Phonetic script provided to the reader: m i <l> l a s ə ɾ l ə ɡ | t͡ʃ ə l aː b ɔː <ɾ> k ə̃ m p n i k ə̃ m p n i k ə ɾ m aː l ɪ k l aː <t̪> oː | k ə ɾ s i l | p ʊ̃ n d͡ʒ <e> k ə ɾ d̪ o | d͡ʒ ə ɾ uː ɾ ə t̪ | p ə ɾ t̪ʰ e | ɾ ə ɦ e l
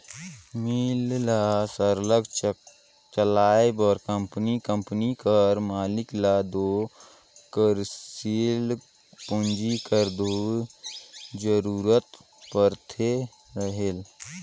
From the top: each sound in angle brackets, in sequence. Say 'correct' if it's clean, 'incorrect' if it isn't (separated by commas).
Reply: correct, correct, incorrect, incorrect